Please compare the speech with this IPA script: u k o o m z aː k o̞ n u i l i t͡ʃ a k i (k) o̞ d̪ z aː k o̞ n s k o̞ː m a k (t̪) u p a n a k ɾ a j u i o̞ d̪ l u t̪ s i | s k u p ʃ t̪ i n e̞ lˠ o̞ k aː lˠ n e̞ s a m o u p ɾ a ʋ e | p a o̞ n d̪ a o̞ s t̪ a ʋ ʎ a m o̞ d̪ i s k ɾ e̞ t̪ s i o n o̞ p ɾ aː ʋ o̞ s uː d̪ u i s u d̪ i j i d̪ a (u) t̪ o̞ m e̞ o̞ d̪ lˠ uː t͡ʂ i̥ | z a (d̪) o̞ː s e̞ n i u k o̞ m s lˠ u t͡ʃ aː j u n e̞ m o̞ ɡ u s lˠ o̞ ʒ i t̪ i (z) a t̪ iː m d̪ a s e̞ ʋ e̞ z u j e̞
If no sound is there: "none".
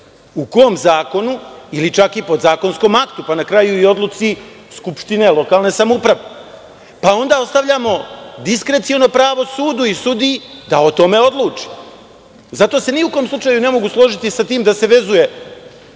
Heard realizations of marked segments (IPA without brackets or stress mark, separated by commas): p, t̪, o, t̪, s